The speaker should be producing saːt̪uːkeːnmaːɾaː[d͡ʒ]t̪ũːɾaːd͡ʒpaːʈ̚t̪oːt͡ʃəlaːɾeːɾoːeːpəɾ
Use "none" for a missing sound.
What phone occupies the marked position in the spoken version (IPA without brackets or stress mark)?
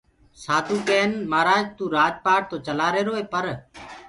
d͡ʒ